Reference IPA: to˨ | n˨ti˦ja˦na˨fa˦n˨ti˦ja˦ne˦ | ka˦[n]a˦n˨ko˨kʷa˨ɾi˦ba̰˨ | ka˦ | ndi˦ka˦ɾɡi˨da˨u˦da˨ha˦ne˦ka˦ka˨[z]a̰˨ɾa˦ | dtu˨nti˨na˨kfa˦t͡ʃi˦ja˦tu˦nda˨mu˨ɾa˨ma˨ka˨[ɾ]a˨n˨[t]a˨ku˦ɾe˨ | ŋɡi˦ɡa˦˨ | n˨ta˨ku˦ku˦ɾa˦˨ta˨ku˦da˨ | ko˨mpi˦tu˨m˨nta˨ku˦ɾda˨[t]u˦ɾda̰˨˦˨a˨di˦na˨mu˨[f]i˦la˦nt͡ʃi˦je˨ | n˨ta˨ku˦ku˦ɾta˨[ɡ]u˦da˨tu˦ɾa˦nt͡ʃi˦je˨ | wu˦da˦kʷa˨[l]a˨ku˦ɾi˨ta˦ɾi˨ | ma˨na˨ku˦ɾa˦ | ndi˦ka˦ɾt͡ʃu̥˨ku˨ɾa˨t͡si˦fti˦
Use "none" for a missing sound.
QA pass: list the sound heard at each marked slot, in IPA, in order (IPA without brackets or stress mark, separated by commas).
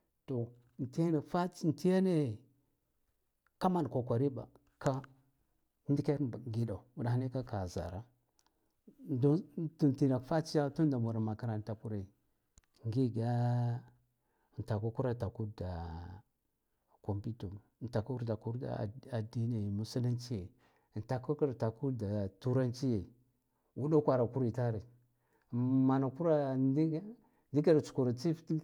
m, z, ɾ, t, k, s, k, ɾ